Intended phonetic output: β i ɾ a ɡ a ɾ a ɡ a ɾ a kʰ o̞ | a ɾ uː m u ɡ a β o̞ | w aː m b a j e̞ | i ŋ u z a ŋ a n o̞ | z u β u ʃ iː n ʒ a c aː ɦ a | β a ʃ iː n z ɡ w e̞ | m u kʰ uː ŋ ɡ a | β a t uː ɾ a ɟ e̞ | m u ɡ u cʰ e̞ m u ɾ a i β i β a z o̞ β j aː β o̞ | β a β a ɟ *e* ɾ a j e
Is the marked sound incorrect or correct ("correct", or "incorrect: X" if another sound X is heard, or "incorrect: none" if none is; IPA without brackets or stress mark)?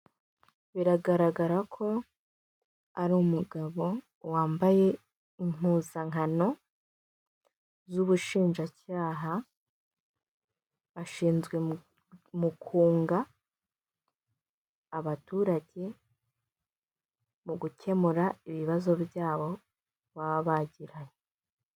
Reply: incorrect: i